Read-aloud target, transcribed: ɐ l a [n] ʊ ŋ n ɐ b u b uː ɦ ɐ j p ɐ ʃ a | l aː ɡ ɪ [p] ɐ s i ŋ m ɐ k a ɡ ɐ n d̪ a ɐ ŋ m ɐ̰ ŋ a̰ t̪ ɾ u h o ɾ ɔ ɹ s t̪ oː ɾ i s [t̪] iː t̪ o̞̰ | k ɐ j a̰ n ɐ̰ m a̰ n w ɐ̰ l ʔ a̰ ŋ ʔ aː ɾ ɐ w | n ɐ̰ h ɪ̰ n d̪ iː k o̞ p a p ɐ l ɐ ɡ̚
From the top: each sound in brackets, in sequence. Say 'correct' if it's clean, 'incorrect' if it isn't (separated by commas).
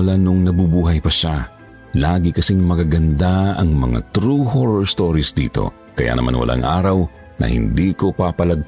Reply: correct, incorrect, incorrect